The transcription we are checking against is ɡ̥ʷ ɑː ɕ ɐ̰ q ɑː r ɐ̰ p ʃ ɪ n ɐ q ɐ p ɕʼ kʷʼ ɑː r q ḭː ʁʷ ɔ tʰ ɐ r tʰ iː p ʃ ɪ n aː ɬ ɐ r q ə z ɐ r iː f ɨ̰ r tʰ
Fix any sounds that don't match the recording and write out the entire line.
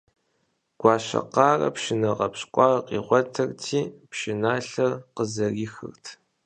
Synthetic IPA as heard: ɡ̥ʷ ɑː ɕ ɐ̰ q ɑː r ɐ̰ p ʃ ɪ n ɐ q ɐ p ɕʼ kʷʼ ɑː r q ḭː ʁʷ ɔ tʰ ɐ r tʰ iː p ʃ ɪ n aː ɬ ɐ r q ə z ɐ r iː x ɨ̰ r tʰ